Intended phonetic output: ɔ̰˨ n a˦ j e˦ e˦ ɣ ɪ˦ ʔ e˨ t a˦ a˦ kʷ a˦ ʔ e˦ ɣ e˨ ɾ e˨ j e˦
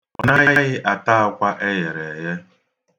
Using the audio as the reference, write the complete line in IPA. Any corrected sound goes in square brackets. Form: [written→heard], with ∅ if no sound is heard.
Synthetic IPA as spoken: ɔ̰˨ n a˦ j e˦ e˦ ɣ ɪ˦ ʔ [e˨→a˨] t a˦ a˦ kʷ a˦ ʔ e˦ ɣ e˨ ɾ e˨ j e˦